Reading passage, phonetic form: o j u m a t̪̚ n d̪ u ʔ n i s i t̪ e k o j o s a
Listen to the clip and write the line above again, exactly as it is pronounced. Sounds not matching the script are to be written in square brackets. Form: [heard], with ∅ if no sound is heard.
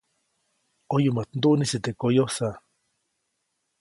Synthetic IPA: o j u m a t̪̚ n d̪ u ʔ n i s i t̪ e k o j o s a